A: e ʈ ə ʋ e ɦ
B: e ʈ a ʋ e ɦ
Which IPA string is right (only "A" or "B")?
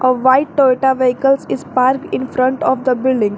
B